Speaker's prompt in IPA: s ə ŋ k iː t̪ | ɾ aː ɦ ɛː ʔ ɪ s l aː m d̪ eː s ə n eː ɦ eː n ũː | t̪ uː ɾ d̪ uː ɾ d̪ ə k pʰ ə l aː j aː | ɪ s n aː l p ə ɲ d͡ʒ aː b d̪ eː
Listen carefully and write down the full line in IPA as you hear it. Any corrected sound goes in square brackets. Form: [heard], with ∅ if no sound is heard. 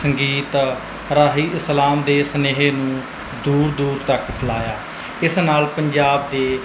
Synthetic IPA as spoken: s ə ŋ [ɡ] iː t̪ | ɾ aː ɦ [iː] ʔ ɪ s l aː m d̪ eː s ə n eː ɦ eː n ũː | [d̪] uː ɾ d̪ uː ɾ [t̪] ə k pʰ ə l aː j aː | ɪ s n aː l p ə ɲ d͡ʒ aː b d̪ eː

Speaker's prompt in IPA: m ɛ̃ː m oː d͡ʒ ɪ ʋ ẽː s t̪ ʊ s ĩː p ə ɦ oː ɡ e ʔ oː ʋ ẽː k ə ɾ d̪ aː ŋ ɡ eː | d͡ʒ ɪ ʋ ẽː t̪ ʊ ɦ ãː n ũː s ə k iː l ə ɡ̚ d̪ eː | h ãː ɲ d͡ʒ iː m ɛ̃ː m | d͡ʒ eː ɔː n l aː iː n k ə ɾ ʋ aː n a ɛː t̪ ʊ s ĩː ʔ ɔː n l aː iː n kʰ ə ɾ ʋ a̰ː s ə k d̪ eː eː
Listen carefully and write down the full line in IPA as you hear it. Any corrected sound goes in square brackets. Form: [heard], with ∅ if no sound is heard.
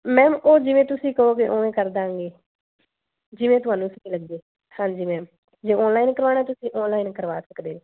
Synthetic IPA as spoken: m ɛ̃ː m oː d͡ʒ ɪ ʋ ẽː [∅] t̪ ʊ s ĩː [k] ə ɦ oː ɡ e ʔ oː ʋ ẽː k ə ɾ d̪ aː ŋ ɡ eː | d͡ʒ ɪ ʋ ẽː t̪ ʊ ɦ [aː] n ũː s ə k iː l ə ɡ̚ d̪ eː | h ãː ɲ d͡ʒ iː m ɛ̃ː m | d͡ʒ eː ɔː n l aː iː n k ə ɾ ʋ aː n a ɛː t̪ ʊ s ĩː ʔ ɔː n l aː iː n [k] ə ɾ ʋ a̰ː s ə k d̪ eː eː

